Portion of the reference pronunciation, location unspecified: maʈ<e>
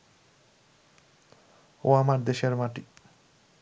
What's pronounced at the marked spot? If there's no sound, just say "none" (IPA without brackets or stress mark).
i